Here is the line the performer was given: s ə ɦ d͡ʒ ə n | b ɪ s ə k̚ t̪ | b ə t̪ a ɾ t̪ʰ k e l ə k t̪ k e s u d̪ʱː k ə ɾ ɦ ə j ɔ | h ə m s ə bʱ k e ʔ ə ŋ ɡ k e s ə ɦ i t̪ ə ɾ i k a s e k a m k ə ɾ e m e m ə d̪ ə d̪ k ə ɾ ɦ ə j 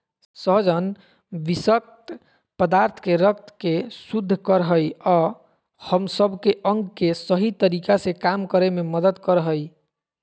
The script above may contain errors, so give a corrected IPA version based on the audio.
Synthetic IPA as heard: s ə ɦ d͡ʒ ə n | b i s ə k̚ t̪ | p ə d̪ a ɾ t̪ʰ k e ɾ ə k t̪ k e s u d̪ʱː k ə ɾ ɦ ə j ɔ | h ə m s ə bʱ k e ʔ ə ŋ ɡ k e s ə ɦ i t̪ ə ɾ i k a s e k a m k ə ɾ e m e m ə d̪ ə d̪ k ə ɾ ɦ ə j